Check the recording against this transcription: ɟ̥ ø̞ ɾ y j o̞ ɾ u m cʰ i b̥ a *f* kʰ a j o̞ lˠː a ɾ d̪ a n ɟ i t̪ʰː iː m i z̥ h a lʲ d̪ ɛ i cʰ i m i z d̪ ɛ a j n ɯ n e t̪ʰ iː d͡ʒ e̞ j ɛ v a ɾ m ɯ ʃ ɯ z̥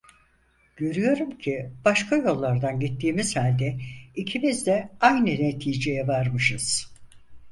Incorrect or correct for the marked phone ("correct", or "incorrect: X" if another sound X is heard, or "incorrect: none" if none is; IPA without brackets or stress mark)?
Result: incorrect: ʃ